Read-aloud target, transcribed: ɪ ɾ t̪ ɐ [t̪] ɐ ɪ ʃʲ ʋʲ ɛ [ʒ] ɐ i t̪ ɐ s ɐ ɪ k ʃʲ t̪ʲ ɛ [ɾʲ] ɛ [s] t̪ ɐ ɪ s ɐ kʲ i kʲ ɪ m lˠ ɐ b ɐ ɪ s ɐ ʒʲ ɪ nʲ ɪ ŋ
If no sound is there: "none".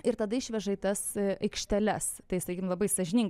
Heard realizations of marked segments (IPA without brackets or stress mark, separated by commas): d̪, ʒ, lʲ, s